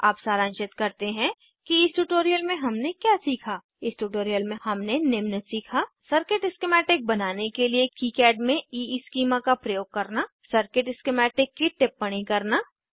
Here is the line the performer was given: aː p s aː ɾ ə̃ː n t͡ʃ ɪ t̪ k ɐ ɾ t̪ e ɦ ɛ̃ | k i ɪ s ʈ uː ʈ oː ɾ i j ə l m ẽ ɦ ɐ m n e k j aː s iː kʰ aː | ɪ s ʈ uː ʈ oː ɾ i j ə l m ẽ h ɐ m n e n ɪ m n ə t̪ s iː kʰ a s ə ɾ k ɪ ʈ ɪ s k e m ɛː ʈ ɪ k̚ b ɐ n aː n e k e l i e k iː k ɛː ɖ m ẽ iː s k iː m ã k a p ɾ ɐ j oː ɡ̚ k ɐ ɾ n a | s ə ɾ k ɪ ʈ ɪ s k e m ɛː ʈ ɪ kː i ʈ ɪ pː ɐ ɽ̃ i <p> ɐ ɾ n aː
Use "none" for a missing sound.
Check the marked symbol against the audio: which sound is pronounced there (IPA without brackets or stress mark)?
k